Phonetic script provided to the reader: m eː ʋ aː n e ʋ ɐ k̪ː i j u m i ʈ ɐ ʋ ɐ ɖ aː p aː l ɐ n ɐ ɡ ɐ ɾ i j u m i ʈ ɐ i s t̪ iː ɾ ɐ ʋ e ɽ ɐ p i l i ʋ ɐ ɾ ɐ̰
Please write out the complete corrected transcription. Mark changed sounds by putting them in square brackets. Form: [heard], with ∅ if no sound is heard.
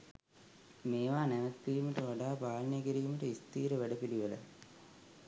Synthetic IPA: m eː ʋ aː n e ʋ ɐ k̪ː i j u m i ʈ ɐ ʋ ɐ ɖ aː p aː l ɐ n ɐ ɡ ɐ ɾ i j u m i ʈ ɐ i s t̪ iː ɾ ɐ ʋ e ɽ ɐ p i l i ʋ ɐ [l] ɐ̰